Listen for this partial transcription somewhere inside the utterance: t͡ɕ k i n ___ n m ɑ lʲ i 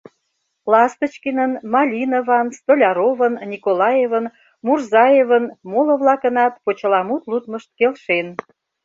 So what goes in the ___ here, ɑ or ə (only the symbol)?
ə